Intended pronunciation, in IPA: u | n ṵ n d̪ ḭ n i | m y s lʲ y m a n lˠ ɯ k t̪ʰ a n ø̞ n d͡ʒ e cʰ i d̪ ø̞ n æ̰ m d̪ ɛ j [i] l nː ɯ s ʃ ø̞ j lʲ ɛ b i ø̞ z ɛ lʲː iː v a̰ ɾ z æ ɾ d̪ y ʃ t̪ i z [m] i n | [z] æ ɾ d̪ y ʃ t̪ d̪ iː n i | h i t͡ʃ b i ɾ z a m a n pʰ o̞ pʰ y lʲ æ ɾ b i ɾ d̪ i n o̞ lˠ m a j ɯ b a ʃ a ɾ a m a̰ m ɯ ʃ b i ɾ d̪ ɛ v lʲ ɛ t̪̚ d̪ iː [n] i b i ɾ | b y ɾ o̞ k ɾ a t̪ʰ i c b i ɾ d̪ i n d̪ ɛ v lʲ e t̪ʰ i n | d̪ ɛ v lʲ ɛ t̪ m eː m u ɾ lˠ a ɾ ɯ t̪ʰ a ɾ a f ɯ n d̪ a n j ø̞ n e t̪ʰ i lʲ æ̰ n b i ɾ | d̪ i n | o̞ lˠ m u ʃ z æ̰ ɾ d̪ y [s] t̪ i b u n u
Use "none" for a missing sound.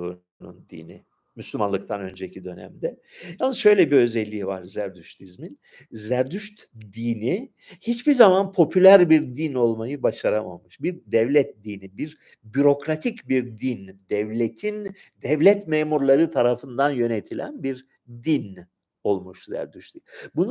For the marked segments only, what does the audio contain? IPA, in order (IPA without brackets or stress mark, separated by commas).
a, m, z, n, ʃ